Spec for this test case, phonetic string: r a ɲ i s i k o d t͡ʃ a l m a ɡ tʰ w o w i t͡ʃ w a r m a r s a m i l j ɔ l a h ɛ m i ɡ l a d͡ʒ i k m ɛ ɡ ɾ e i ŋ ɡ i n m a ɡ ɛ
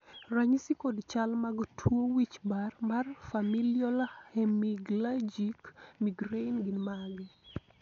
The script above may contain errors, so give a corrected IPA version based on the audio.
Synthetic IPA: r a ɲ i s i k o d t͡ʃ a l m a ɡ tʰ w o w i t͡ʃ b a r m a r f a m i l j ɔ l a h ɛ m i ɡ l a d͡ʒ i k m i ɡ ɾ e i n ɡ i n m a ɡ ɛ

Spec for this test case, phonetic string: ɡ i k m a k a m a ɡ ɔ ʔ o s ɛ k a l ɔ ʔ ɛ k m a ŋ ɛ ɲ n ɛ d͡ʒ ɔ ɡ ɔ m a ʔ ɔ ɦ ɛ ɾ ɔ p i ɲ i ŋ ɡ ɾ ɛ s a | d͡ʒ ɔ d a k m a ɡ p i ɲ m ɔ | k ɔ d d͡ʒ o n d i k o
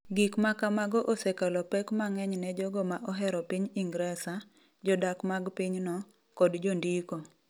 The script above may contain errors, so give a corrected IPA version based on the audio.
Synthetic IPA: ɡ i k m a k a m a ɡ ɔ ʔ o s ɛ k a l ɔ p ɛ k m a ŋ ɛ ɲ n ɛ d͡ʒ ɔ ɡ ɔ m a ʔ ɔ ɦ ɛ ɾ ɔ p i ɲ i ŋ ɡ ɾ ɛ s a | d͡ʒ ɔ d a k m a ɡ p i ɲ n ɔ | k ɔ d d͡ʒ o n d i k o

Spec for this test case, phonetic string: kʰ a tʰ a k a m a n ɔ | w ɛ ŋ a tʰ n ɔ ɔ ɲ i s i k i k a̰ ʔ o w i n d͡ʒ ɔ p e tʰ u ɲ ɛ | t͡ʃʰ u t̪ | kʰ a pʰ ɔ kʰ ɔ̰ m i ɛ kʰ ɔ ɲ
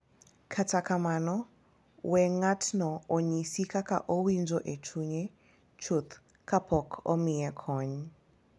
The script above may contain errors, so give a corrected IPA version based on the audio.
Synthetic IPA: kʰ a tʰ a k a m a n ɔ | w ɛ ŋ a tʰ n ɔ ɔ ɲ i s i k a k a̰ ʔ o w i n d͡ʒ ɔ ʔ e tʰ u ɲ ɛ | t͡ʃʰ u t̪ | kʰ a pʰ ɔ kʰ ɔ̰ m i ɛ kʰ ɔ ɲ

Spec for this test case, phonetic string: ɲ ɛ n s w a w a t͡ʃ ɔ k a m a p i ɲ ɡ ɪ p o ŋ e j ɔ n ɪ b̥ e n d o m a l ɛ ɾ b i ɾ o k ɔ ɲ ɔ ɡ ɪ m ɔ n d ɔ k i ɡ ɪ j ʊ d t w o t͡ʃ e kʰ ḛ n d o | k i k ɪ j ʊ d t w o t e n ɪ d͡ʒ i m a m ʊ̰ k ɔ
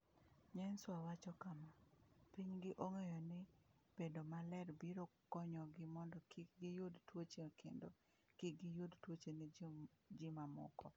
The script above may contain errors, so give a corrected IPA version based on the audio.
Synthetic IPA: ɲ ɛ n s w a w a t͡ʃ ɔ k a m a p i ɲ ɡ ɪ ʔ o ŋ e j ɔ n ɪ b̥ e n d o m a l ɛ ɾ b i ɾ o k ɔ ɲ ɔ ɡ ɪ m ɔ n d ɔ k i ɡ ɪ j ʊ d t w o t͡ʃ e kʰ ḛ n d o | k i ɡ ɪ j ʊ d t w o t͡ʃ e n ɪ d͡ʒ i m a m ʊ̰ k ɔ

